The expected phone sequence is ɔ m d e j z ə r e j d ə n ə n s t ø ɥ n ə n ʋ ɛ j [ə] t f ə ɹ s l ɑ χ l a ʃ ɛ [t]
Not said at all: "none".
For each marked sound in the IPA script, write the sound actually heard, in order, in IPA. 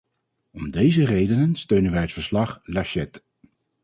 ə, t

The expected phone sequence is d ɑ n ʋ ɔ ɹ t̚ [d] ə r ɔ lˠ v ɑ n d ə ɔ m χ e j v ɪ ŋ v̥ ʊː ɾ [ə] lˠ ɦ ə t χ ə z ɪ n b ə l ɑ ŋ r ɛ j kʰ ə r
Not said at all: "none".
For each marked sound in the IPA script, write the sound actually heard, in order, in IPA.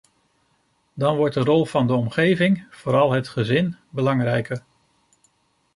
d, ɑ

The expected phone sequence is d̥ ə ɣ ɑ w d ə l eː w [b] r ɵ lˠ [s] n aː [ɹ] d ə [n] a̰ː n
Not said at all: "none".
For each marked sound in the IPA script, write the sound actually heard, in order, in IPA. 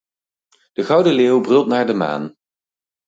b, t, ɹ, m

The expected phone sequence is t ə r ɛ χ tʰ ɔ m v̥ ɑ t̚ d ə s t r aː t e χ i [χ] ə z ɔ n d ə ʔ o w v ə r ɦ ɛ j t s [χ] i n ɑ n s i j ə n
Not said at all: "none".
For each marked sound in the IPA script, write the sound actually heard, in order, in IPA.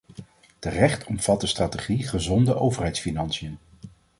χ, f

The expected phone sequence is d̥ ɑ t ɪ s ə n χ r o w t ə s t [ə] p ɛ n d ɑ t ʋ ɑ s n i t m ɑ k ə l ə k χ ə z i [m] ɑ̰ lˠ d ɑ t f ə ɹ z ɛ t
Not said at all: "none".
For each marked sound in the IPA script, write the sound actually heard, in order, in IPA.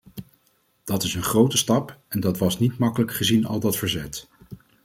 ɑ, n

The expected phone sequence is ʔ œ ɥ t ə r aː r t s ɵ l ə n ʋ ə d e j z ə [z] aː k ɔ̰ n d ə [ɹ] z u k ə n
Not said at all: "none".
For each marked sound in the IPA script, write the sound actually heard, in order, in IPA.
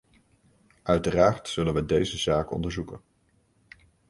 z, ɹ

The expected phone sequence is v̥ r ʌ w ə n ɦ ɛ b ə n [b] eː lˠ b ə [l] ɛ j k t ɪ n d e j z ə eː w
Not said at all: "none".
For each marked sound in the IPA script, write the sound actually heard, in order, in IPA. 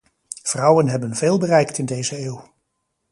v, r

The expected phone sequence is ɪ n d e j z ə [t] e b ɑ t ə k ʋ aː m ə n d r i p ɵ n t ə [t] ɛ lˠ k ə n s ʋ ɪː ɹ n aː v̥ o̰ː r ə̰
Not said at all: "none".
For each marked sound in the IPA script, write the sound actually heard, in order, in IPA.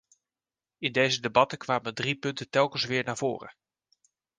d, t

